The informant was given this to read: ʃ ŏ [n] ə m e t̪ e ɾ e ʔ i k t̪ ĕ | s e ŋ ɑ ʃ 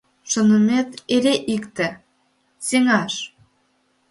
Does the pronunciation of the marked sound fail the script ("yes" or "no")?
no